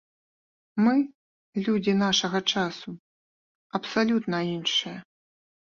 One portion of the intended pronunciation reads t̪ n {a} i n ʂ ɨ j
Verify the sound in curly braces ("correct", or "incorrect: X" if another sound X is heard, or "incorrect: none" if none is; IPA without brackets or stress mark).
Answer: incorrect: ɐ